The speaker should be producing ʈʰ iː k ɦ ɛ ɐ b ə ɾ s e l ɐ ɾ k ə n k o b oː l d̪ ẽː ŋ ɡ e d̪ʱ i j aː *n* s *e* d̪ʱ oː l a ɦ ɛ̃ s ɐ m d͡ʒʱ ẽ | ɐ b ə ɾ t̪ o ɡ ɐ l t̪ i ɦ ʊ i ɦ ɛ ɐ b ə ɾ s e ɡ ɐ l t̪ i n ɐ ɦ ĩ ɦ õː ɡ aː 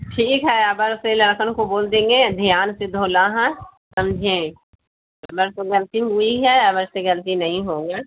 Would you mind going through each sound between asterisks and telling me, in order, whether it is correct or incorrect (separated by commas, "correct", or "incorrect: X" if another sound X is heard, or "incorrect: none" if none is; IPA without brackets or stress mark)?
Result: correct, correct